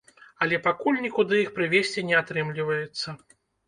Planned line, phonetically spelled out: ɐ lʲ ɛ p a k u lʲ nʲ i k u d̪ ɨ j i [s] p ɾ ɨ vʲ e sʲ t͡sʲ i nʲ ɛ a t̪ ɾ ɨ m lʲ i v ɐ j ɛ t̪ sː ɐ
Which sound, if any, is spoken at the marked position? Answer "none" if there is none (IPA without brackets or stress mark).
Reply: x